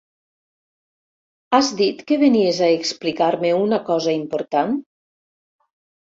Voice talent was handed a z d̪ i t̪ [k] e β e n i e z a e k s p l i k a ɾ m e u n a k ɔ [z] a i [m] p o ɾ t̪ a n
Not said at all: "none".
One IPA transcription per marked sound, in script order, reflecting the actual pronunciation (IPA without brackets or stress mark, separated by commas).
k, z, m